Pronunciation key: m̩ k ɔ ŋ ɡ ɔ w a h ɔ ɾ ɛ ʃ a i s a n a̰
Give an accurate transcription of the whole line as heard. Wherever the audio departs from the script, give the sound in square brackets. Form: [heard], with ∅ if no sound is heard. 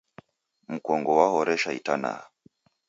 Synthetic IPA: m̩ k ɔ ŋ ɡ ɔ w a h ɔ ɾ ɛ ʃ a i [t] a n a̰